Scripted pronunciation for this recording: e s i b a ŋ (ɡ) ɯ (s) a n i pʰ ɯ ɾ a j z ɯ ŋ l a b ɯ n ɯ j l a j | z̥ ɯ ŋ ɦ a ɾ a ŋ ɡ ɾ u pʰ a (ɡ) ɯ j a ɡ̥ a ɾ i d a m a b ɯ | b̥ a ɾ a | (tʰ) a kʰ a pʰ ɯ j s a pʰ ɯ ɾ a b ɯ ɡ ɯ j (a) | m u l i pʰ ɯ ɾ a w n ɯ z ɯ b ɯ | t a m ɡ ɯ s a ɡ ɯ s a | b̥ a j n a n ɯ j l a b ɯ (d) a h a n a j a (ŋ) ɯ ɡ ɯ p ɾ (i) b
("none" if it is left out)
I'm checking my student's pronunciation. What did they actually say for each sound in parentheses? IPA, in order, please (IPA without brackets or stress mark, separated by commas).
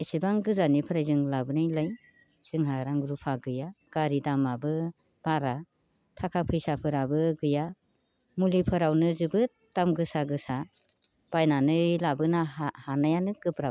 ɡ, z, ɡ, tʰ, a, n, n, a